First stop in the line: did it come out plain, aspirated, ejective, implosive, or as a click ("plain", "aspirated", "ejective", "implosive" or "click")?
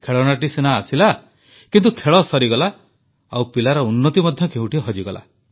aspirated